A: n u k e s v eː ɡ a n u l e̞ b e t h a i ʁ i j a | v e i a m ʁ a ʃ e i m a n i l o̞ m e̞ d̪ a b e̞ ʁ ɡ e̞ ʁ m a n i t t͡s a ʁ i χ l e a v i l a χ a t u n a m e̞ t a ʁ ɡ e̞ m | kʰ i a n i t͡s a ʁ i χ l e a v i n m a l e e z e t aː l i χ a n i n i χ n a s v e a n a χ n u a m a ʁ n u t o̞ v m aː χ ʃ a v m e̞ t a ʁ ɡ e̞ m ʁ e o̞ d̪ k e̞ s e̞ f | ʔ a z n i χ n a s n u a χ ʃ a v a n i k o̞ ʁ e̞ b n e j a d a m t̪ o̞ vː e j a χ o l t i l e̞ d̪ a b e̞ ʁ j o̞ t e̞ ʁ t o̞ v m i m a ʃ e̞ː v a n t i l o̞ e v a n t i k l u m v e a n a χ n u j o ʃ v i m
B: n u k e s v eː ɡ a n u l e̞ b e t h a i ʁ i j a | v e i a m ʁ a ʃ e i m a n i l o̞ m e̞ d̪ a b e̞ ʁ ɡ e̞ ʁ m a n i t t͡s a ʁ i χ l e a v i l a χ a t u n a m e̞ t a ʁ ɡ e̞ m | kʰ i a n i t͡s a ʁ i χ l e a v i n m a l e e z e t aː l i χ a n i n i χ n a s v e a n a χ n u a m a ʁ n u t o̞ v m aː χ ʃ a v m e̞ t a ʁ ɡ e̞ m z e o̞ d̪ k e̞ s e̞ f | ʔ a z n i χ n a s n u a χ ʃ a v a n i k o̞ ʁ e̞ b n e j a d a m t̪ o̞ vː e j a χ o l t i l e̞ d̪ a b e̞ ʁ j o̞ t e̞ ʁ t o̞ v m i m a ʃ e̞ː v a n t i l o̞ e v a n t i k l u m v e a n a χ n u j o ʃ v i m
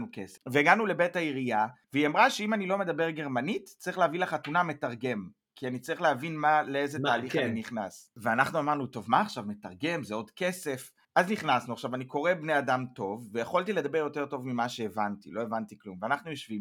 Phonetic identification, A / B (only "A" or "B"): B